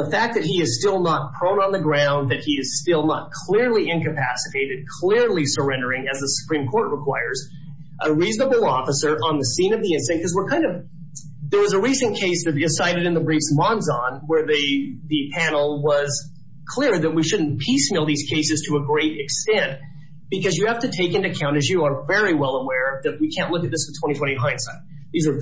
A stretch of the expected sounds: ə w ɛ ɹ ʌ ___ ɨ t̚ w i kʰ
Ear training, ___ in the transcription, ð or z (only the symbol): ð